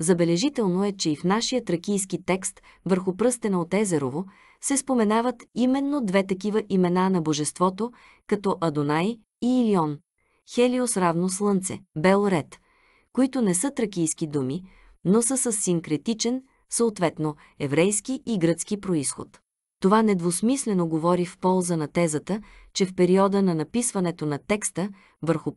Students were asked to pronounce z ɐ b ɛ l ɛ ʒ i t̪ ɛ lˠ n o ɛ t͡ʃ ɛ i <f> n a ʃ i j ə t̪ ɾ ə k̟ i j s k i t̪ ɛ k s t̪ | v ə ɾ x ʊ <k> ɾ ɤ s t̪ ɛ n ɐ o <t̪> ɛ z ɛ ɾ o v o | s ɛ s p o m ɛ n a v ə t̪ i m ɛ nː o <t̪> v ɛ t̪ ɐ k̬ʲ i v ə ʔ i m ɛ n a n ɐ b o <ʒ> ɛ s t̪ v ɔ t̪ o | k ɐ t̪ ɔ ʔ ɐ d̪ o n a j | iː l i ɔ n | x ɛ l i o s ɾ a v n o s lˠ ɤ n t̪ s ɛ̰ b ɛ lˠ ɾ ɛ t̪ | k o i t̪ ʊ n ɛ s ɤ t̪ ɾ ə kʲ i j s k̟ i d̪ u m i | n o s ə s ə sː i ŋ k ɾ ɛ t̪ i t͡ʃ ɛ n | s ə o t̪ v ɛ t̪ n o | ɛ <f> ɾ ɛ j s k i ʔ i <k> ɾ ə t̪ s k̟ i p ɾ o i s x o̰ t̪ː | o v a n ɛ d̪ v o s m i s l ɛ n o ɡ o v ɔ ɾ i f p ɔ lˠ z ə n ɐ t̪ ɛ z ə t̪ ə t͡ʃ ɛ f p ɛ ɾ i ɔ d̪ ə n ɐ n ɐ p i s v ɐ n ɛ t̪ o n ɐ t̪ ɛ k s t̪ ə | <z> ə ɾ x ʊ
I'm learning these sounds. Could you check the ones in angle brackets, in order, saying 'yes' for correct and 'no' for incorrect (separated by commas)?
yes, no, yes, no, yes, no, no, no